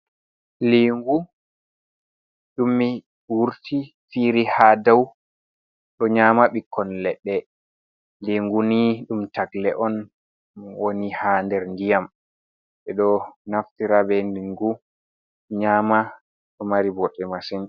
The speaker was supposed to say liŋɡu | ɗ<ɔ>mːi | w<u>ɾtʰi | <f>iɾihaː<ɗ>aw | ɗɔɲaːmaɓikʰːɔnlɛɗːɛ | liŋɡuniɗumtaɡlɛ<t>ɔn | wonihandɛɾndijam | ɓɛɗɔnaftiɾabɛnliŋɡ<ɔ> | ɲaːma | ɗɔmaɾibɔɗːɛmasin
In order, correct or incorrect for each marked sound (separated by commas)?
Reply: incorrect, correct, correct, incorrect, incorrect, incorrect